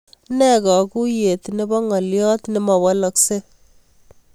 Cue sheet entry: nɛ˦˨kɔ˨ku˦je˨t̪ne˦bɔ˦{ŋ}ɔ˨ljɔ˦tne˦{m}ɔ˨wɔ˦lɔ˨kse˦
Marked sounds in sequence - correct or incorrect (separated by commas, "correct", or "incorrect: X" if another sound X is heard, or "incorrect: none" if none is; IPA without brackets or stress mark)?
correct, correct